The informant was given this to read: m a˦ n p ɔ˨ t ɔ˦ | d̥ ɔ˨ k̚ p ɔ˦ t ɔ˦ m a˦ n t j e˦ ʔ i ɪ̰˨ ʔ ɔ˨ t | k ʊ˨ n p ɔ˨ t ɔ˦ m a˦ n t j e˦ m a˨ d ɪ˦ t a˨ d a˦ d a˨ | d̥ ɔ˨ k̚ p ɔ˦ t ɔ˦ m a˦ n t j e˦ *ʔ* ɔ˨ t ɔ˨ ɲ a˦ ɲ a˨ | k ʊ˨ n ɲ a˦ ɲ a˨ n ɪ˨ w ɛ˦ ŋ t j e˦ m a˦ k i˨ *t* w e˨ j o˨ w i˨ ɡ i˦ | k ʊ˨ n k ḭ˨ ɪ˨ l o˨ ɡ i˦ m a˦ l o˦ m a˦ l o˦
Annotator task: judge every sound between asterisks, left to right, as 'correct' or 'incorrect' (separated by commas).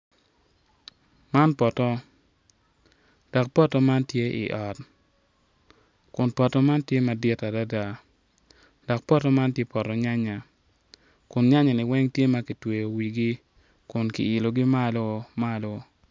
incorrect, correct